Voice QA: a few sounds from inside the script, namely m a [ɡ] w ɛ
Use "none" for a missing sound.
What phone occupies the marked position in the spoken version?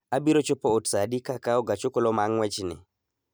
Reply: ŋ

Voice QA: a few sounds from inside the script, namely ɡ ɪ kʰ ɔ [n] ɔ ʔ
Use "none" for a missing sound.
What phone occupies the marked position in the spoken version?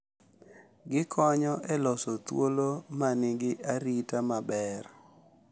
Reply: ɲ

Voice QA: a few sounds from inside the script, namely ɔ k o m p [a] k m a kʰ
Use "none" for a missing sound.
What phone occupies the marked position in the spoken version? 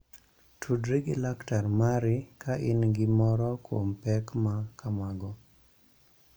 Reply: ɛ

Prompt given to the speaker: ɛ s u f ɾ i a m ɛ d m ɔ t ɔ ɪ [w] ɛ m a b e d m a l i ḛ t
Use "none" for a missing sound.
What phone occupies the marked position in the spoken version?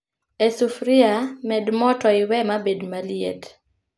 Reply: w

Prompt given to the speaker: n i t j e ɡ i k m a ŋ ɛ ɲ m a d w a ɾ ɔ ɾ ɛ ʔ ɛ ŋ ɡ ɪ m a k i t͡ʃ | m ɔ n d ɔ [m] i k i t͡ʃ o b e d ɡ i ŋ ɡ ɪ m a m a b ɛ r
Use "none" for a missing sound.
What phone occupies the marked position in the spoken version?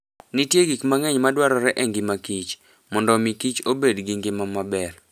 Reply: m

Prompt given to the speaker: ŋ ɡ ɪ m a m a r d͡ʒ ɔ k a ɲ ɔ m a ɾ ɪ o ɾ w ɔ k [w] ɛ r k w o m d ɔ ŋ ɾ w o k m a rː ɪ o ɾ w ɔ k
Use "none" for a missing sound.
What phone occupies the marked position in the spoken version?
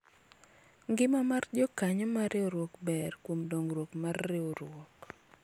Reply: b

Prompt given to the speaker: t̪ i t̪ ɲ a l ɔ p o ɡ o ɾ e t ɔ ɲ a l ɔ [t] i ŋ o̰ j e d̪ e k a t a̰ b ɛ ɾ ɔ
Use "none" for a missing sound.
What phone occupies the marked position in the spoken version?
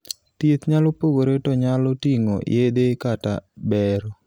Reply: t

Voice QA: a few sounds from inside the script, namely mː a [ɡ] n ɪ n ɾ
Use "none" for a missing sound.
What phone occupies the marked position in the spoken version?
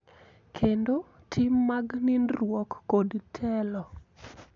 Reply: ɡ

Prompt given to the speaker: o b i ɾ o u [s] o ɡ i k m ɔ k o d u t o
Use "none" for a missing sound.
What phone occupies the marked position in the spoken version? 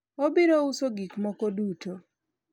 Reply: s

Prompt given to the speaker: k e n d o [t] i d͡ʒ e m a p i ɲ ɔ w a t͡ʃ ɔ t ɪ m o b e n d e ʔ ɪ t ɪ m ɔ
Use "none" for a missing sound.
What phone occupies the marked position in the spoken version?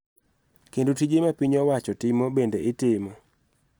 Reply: t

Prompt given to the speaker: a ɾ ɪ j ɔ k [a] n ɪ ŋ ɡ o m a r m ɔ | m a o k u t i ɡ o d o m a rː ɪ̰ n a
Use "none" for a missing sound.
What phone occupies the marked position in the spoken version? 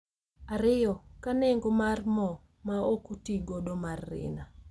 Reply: a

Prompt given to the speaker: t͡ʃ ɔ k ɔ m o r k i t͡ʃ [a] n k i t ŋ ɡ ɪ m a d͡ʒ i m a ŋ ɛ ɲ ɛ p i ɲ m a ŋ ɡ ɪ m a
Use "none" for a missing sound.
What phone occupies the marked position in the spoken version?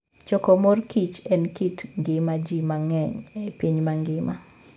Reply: ɛ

